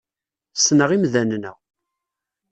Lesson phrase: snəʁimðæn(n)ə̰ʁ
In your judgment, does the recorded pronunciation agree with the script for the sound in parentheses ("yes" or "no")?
yes